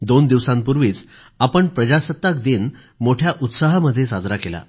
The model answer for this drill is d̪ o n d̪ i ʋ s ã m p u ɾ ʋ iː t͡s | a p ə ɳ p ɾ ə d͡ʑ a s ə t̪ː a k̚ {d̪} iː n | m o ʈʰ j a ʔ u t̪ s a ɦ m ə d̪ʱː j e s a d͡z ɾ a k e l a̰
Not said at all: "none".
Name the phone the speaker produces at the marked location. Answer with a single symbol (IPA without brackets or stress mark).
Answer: d̪